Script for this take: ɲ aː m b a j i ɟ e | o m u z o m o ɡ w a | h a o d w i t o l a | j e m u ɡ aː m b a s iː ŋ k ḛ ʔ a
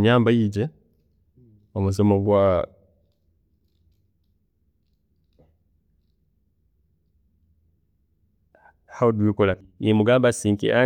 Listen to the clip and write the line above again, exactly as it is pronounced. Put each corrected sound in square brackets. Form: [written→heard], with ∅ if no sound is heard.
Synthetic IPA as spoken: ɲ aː m b a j i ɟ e | o m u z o m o ɡ w a | h a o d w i [t→k] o l a | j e m u ɡ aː m b a s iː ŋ k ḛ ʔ a

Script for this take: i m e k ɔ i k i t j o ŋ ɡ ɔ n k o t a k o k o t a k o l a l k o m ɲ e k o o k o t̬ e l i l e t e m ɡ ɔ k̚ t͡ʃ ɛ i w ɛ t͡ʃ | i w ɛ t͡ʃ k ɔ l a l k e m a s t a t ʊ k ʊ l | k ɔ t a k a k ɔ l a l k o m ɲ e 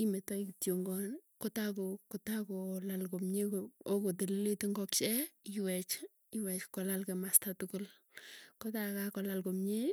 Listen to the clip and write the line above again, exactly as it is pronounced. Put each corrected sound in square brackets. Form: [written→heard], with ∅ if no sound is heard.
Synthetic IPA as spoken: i m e [k→t] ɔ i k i t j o ŋ ɡ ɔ n k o t a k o k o t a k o l a l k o m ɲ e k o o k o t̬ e l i l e t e [m→ŋ] ɡ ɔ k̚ t͡ʃ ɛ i w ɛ t͡ʃ | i w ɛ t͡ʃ k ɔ l a l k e m a s t a t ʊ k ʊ l | k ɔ t a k a k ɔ l a l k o m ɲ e

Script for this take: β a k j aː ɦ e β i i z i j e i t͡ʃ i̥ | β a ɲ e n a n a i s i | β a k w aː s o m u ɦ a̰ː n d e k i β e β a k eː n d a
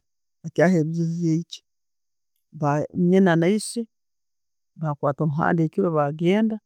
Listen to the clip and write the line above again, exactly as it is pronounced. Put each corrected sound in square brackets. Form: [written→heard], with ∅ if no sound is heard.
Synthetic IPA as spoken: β a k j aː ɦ e β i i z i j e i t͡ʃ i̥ | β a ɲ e n a n a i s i | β a k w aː [s→t] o m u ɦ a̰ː n d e k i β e β a [k→ɡ] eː n d a

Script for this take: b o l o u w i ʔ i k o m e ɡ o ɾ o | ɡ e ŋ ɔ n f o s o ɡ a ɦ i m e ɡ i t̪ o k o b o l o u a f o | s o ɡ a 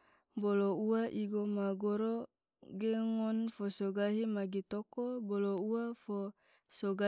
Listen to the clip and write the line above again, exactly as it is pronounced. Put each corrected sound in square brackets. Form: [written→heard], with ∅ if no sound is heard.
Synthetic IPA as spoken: b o l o u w [i→a] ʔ i [k→ɡ] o m [e→a] ɡ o ɾ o | ɡ e ŋ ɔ n f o s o ɡ a ɦ i m [e→a] ɡ i t̪ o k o b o l o u a f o | s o ɡ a

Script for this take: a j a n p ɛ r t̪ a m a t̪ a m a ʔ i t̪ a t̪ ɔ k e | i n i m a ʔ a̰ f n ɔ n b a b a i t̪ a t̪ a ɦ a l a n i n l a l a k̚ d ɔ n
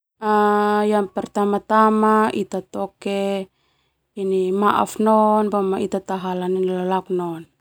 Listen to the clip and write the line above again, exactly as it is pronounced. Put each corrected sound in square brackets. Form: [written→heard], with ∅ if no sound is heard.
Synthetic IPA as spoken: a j a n p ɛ r t̪ a m a t̪ a m a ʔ i t̪ a t̪ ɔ k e | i n i m a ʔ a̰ f n ɔ n b a [b→m] a i t̪ a t̪ a ɦ a l a n i n l a l a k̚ [d→n] ɔ n

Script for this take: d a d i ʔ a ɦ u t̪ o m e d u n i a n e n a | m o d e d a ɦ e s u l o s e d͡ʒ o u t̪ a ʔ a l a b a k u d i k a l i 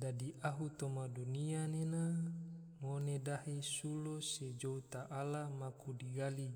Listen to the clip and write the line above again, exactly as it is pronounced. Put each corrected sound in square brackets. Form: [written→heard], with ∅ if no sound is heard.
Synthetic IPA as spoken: d a d i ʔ a ɦ u t̪ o m [e→a] d u n i a n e n a | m o [d→n] e d a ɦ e s u l o s e d͡ʒ o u t̪ a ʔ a l a [b→m] a k u d i [k→ɡ] a l i

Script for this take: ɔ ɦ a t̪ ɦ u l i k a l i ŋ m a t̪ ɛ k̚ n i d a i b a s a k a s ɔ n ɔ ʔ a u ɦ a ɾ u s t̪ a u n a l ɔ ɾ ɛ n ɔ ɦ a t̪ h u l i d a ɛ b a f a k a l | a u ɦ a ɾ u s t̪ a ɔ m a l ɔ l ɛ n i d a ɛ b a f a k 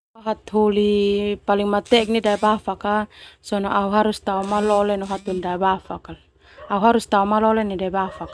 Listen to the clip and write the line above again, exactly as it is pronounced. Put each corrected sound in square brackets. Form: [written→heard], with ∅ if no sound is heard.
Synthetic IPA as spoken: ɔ ɦ a t̪ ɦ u l i [k→p] a l i ŋ m a t̪ ɛ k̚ n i d a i b a [s→f] a k a s ɔ n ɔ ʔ a u ɦ a ɾ u s t̪ a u [n→m] a l ɔ [ɾ→l] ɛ n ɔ ɦ a t̪ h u l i d a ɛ b a f a k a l | a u ɦ a ɾ u s t̪ a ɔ m a l ɔ l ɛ n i d a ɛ b a f a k

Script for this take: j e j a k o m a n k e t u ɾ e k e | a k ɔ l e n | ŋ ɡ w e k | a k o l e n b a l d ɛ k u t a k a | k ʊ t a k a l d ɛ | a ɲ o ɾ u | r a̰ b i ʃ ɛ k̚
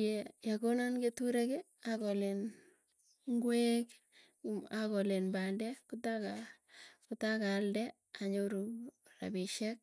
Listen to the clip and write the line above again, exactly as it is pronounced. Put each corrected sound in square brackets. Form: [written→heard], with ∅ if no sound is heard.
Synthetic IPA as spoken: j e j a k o [m→n] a n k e t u ɾ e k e | a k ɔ l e n | ŋ ɡ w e k | a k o l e n b a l d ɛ k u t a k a | k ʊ t a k a l d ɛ | a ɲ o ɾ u | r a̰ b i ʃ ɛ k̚

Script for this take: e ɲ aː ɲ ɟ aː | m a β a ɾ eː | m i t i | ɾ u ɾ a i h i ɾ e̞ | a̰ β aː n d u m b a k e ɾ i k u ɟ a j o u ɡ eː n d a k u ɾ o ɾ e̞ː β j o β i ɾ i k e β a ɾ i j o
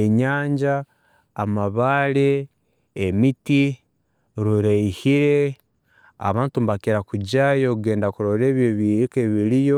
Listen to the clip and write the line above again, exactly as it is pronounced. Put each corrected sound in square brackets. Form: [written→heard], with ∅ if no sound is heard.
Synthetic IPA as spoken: e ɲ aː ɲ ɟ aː | m a β a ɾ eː | m i t i | ɾ u ɾ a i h i ɾ e̞ | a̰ β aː n [d→t] u m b a k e ɾ [i→a] k u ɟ a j o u ɡ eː n d a k u ɾ o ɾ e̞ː β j o β i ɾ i k e β [a→i] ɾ i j o

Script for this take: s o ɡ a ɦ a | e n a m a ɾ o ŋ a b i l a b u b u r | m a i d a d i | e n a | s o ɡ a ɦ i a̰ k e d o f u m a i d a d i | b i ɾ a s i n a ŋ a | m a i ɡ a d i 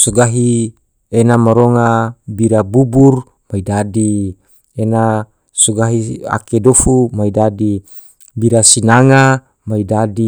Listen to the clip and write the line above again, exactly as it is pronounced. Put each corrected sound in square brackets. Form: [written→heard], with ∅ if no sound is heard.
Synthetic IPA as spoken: s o ɡ a ɦ [a→i] | e n a m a ɾ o ŋ a b i [l→ɾ] a b u b u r | m a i d a d i | e n a | s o ɡ a ɦ i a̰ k e d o f u m a i d a d i | b i ɾ a s i n a ŋ a | m a i [ɡ→d] a d i

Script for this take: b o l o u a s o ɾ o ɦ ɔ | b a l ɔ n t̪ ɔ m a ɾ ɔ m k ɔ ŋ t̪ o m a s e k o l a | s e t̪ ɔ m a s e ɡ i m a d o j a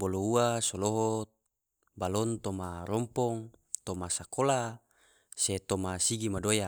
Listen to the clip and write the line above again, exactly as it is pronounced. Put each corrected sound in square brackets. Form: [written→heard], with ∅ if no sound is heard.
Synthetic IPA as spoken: b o l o u a s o [ɾ→l] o ɦ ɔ | b a l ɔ n t̪ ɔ m a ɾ ɔ m [k→p] ɔ ŋ t̪ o m a s [e→a] k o l a | s e t̪ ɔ m a s [e→i] ɡ i m a d o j a

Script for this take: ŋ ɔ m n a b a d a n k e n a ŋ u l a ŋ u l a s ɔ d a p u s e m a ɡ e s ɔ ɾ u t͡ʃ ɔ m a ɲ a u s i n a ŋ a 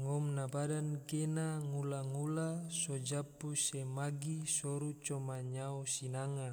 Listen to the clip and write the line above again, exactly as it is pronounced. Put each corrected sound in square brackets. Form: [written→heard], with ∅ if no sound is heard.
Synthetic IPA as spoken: ŋ ɔ m n a b a d a n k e n a ŋ u l a ŋ u l a s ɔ [d→d͡ʒ] a p u s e m a ɡ [e→i] s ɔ ɾ u t͡ʃ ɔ m a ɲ a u s i n a ŋ a

